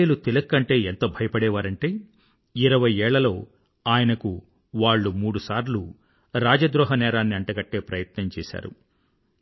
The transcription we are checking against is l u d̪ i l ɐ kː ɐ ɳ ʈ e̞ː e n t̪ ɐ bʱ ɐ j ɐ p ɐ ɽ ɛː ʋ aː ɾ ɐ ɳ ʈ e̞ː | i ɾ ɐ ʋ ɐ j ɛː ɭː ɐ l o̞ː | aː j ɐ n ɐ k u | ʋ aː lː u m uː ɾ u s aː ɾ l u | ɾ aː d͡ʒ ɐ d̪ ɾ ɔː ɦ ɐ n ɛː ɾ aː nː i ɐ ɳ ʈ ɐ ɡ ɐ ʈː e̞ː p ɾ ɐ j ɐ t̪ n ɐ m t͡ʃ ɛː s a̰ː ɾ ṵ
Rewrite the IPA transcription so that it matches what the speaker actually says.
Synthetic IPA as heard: l u t̪ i l ɐ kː ɐ ɳ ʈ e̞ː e n t̪ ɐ bʱ ɐ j ɐ p ɐ ɽ ɛː ʋ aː ɾ ɐ ɳ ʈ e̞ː | i ɾ ɐ ʋ ɐ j ɛː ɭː ɐ l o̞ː | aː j ɐ n ɐ k u | ʋ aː ɭː u m uː ɽ u s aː ɾ l u | ɾ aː d͡ʒ ɐ d̪ ɾ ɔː ɦ ɐ n ɛː ɾ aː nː i ɐ ɳ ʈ ɐ ɡ ɐ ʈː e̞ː p ɾ ɐ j ɐ t̪ n ɐ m t͡ʃ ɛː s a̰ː ɾ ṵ